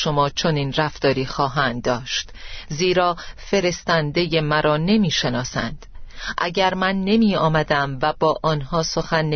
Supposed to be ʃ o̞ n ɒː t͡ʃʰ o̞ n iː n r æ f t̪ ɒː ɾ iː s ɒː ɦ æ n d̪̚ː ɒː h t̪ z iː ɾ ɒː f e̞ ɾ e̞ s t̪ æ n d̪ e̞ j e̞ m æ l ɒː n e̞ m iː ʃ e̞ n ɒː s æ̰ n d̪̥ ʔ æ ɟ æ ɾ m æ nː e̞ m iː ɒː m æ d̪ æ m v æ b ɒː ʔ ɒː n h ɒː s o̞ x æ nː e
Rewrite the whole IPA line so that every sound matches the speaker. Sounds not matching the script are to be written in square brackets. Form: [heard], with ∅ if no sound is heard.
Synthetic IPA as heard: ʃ o̞ [m] ɒː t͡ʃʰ o̞ n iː n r æ f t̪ ɒː ɾ iː [x] ɒː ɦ æ n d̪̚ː ɒː [ʃ] t̪ z iː ɾ ɒː f e̞ ɾ e̞ s t̪ æ n d̪ e̞ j e̞ m æ [ɾ] ɒː n e̞ m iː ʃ e̞ n ɒː s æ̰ n d̪̥ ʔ æ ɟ æ ɾ m æ nː e̞ m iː ɒː m æ d̪ æ m v æ b ɒː ʔ ɒː n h ɒː s o̞ x æ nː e